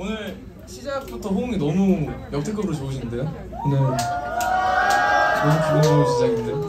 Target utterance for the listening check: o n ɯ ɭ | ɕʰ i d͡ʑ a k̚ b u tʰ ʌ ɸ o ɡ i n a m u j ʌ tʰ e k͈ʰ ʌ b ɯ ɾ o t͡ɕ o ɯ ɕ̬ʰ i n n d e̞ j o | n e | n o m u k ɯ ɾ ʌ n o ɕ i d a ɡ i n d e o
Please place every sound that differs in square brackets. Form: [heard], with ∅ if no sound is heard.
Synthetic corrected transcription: o n ɯ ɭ | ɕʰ i d͡ʑ a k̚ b u tʰ ʌ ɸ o [ŋ] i n [ʌ] m u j ʌ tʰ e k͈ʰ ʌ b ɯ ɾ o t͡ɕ o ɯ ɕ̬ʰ i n n d e̞ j o | n e | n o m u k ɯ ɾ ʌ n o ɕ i [d͡ʑ] a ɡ i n d e o